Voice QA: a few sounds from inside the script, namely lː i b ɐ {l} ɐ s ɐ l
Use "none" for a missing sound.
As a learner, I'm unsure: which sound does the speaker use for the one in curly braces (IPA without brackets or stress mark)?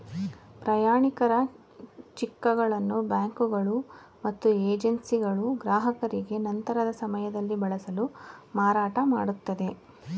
ɭ